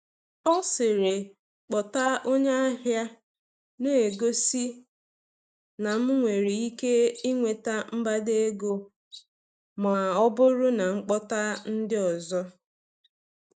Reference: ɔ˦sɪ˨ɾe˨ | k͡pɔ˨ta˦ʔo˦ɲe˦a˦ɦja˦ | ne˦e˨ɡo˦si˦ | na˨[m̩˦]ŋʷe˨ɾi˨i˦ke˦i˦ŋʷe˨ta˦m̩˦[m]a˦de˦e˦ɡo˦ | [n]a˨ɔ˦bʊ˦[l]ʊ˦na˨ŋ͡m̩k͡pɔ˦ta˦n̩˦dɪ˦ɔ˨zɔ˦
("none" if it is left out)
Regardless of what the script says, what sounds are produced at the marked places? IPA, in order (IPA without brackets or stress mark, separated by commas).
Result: m̩˦, b, m, ɾ